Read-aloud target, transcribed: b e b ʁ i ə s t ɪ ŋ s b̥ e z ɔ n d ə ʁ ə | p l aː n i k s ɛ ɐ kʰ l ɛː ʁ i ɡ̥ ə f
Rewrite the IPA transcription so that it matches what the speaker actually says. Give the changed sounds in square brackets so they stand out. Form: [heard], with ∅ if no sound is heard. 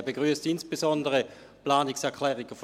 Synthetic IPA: b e [ɡ] ʁ [y] ə s t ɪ [n] s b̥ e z ɔ n d ə ʁ ə | p l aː n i k s ɛ ɐ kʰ l ɛː ʁ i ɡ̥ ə f